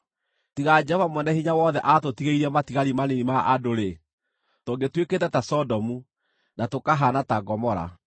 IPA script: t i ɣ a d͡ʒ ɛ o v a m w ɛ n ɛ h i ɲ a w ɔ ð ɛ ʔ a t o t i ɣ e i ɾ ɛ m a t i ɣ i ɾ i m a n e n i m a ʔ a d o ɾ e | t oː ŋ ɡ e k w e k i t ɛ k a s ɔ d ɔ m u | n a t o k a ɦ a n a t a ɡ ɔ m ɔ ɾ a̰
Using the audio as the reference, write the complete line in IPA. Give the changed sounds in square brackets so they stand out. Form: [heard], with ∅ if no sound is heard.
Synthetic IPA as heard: t i ɣ a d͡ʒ ɛ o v a m w ɛ n ɛ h i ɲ a w ɔ ð ɛ ʔ a t o t i ɣ e i ɾ ɛ m a t i ɣ [a] ɾ i m a n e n i m a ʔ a d o ɾ e | t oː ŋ ɡ e [t] w e k [e] t ɛ [t] a s ɔ d ɔ m u | n a t o k a ɦ a n a t a ɡ ɔ m ɔ ɾ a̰